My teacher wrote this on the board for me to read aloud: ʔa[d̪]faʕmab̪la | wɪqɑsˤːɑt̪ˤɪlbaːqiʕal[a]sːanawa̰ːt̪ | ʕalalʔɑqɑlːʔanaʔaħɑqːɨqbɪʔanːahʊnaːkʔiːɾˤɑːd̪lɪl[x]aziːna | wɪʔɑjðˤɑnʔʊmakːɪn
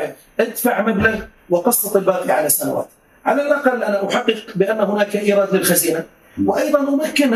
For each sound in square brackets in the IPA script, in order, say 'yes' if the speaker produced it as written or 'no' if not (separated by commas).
yes, yes, yes